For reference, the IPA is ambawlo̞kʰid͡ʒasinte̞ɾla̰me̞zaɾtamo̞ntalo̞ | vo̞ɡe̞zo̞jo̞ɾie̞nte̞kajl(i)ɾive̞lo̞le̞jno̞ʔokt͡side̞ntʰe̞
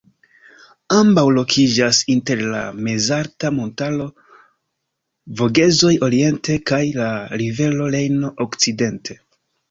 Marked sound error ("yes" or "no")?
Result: yes